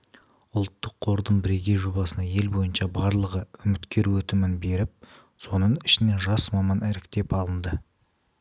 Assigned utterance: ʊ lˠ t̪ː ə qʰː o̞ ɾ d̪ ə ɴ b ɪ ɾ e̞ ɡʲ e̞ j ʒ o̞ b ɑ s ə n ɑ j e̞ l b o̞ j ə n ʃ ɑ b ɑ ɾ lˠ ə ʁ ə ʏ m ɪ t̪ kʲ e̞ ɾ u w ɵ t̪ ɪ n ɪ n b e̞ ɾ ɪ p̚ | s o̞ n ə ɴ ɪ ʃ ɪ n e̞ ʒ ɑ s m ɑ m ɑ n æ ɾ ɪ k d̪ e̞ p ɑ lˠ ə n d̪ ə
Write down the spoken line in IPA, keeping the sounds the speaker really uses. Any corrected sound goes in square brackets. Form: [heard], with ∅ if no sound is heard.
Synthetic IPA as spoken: ʊ lˠ t̪ː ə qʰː o̞ ɾ d̪ ə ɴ b ɪ ɾ e̞ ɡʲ e̞ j ʒ o̞ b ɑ s ə n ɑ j e̞ l b o̞ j ə n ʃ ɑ b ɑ ɾ lˠ ə ʁ ə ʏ m ɪ t̪ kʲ e̞ ɾ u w ɵ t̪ ɪ [m] ɪ n b e̞ ɾ ɪ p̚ | s o̞ n ə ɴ ɪ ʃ ɪ n e̞ ʒ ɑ s m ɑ m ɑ n æ ɾ ɪ k [t̪] e̞ p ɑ lˠ ə n d̪ ə